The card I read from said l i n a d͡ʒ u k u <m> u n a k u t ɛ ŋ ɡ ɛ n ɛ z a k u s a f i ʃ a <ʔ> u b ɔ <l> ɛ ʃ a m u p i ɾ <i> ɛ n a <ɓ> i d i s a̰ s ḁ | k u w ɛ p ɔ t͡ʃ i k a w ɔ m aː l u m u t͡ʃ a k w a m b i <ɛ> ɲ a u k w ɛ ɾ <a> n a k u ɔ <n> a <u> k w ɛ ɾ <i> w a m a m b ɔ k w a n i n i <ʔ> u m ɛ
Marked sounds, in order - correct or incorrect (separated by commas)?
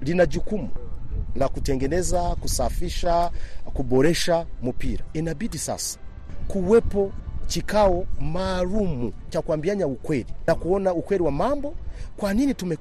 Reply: correct, incorrect, incorrect, incorrect, incorrect, incorrect, incorrect, correct, correct, correct, incorrect